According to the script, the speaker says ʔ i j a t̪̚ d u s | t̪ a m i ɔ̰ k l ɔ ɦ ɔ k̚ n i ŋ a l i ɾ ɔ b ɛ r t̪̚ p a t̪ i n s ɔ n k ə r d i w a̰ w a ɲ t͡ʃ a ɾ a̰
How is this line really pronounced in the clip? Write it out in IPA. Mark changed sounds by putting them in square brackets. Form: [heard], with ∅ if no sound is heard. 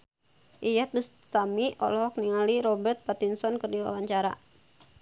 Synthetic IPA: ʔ i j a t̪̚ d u s | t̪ a m i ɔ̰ [∅] l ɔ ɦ ɔ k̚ n i ŋ a l i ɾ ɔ b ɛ r t̪̚ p a t̪ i n s ɔ n k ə r d i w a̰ w a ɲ t͡ʃ a ɾ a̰